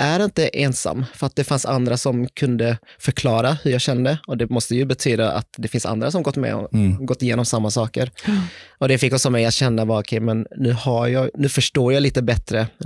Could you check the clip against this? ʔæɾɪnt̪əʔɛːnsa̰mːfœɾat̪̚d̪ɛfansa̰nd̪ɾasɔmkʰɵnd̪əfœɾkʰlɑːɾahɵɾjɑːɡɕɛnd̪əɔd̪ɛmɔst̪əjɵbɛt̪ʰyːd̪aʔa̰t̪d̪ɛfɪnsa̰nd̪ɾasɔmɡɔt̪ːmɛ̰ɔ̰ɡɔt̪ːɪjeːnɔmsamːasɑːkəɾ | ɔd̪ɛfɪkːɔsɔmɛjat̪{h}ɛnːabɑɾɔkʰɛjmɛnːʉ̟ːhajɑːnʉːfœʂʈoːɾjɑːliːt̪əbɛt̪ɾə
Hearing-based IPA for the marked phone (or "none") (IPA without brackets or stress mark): ɕ